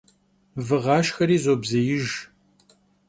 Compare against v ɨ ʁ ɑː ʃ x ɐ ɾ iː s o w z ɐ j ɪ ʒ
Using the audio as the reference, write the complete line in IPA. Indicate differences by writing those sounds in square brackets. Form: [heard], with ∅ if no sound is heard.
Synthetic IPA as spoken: v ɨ ʁ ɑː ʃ x ɐ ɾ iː [z] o [b] z ɐ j ɪ ʒ